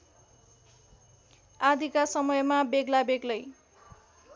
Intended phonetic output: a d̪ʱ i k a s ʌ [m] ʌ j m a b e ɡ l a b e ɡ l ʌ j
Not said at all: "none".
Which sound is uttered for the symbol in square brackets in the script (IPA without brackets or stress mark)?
m